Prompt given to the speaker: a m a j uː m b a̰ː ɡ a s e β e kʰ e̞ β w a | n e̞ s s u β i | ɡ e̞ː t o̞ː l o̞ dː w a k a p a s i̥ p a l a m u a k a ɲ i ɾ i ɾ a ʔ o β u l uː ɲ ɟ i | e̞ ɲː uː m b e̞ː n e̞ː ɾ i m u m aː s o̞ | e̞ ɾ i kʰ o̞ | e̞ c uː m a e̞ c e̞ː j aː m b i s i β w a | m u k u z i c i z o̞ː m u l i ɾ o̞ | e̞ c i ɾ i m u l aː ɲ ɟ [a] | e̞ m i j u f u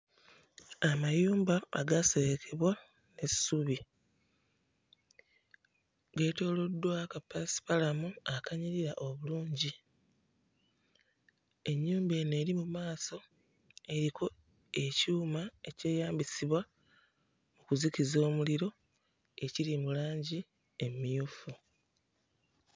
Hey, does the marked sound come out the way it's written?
no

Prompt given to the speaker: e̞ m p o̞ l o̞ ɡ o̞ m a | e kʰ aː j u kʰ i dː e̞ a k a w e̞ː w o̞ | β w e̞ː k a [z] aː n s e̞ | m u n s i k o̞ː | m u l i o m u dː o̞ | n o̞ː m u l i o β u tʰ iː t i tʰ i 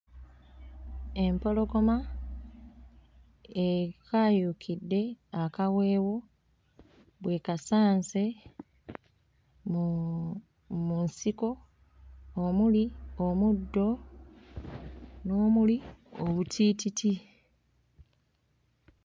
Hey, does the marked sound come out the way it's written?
no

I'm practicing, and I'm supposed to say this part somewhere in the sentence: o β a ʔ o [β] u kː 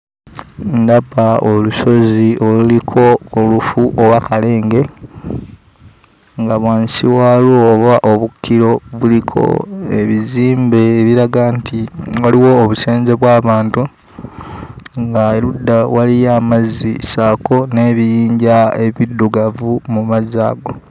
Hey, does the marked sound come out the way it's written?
yes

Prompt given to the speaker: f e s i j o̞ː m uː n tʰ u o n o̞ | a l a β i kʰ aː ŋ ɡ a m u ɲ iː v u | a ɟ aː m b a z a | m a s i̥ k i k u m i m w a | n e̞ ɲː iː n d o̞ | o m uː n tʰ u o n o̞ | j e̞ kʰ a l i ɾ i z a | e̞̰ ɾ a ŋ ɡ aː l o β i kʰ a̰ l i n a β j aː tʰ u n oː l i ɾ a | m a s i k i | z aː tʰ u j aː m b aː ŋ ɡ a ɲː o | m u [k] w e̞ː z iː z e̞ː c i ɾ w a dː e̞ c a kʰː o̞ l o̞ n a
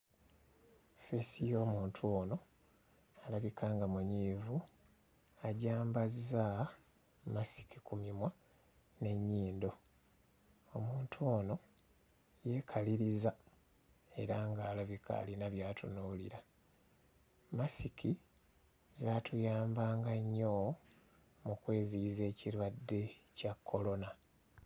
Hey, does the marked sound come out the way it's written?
yes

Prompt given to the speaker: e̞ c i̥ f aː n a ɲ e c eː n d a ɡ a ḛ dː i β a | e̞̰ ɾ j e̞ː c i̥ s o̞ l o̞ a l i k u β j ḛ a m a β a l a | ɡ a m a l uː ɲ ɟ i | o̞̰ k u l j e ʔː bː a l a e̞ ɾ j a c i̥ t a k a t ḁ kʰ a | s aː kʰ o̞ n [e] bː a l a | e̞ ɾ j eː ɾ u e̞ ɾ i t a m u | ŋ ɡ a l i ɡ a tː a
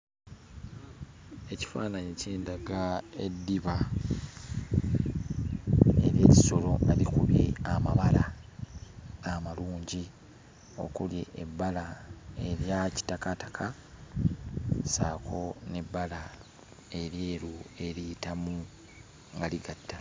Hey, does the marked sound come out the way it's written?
yes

